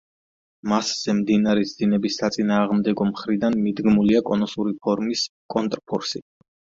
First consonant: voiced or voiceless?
voiced